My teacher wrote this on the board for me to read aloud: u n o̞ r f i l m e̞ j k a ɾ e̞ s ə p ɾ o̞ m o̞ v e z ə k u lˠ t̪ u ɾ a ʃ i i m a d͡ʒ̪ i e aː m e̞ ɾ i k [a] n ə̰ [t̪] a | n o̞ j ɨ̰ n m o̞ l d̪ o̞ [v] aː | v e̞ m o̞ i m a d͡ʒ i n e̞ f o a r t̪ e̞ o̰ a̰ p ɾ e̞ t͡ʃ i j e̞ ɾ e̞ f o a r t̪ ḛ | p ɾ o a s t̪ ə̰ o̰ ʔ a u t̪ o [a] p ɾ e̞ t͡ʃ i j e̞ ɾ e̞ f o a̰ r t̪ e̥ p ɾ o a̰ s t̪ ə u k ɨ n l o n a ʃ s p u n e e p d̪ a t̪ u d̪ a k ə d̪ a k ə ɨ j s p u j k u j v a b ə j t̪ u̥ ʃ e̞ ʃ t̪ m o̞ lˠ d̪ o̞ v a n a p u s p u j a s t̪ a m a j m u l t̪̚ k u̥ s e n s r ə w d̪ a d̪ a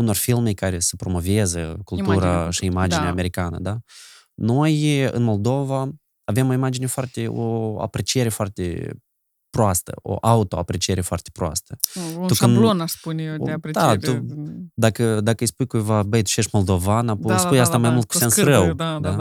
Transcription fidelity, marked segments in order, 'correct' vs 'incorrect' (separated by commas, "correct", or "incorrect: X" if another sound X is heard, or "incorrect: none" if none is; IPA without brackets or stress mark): correct, incorrect: d̪, correct, correct